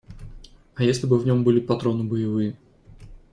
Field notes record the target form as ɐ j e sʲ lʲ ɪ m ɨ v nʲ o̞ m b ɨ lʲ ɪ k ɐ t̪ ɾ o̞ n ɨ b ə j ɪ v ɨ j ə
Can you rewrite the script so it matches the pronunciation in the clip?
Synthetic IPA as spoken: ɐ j e sʲ lʲ ɪ b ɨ v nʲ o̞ m b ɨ lʲ ɪ p ɐ t̪ ɾ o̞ n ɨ b ə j ɪ v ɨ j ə